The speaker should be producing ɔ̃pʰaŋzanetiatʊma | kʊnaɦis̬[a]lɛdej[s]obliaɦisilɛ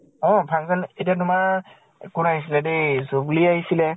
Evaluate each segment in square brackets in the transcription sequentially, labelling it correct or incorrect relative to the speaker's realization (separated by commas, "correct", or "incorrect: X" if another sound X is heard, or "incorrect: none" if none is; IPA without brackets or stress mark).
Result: incorrect: i, incorrect: z